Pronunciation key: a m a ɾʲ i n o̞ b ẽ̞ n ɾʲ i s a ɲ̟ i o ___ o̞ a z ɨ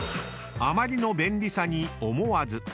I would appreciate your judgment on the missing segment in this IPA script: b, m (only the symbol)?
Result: m